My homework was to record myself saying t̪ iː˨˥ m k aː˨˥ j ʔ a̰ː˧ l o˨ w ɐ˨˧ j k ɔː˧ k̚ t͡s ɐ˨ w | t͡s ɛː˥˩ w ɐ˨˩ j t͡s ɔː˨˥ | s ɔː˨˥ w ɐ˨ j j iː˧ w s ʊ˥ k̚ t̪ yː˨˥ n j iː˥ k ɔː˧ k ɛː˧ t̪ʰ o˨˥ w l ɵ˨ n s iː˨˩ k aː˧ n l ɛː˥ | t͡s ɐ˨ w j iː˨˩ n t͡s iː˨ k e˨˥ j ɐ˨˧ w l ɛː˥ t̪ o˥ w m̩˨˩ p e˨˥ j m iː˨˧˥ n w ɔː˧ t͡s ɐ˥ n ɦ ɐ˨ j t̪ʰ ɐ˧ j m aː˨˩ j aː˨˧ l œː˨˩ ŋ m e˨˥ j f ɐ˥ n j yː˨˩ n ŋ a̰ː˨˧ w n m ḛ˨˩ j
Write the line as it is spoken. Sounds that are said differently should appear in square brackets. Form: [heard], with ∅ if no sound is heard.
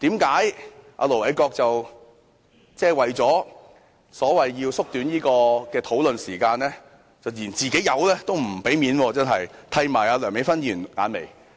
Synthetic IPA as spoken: t̪ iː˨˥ m k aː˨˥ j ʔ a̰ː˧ l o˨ w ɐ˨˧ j k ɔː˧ k̚ t͡s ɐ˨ w | t͡s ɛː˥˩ w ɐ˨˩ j t͡s ɔː˨˥ | s ɔː˨˥ w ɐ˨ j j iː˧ w s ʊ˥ k̚ t̪ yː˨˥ n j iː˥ k ɔː˧ k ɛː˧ t̪ʰ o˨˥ w l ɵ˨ n s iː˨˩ k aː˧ n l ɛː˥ | t͡s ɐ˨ w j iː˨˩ n t͡s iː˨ k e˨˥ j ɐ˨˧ w l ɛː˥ t̪ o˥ w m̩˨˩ p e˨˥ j m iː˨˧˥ n w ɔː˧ t͡s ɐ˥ n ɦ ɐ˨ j t̪ʰ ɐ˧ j m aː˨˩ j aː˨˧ l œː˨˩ ŋ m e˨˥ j f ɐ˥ n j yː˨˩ n ŋ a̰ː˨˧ [∅] n m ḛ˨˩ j